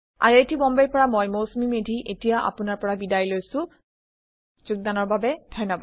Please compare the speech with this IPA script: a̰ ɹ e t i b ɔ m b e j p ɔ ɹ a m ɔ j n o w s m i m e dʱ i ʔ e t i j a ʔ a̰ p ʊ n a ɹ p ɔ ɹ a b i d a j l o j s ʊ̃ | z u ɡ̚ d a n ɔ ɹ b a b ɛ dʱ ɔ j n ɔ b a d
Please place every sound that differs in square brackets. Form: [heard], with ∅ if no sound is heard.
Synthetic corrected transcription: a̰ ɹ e t i b ɔ m b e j p ɔ ɹ a m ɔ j [m] o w s m i m e dʱ i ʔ e t i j a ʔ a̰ p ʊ n a ɹ p ɔ ɹ a b i d a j l o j s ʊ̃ | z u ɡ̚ d a n ɔ ɹ b a b ɛ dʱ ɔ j n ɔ b a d